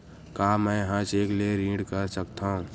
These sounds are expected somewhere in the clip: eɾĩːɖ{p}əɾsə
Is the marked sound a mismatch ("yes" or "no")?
yes